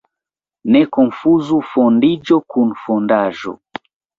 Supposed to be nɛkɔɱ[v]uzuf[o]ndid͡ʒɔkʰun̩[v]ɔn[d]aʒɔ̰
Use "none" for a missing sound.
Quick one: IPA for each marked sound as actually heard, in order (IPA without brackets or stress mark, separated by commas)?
f, ɔ, f, d